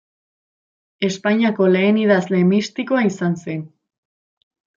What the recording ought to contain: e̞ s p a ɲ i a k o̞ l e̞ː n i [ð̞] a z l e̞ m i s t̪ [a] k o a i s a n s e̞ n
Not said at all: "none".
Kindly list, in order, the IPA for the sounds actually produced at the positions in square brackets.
ð̞, i

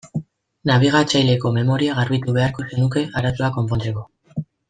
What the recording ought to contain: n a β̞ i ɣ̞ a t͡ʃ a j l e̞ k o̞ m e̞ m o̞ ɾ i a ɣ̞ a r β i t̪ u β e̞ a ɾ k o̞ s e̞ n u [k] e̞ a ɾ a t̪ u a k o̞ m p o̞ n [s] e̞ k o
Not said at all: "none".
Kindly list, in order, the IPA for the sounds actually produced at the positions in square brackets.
k, t͡s

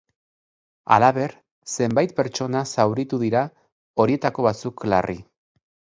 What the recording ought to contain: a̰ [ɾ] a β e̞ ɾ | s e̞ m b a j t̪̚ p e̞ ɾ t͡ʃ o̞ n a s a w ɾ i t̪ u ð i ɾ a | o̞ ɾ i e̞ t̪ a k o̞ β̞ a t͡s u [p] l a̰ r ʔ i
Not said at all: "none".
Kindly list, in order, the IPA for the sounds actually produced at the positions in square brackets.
l, k

